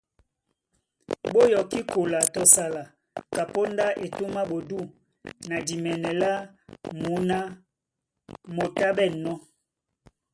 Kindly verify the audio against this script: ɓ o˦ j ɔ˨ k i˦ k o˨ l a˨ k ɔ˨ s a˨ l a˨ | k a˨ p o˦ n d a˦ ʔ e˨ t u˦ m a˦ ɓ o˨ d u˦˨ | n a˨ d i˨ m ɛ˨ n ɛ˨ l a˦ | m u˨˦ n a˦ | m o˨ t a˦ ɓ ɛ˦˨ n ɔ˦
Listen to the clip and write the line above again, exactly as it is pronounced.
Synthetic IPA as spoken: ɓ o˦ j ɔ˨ k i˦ k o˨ l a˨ t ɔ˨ s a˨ l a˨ | k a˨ p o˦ n d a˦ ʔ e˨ t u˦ m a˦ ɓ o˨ d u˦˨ | n a˨ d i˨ m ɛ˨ n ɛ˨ l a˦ | m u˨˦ n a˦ | m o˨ t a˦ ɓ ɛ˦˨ n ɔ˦